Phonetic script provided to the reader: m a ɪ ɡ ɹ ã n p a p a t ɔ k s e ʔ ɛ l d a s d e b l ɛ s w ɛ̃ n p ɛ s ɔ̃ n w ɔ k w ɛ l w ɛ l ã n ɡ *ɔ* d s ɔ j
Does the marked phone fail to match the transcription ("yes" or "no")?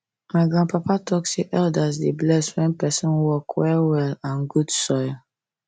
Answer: yes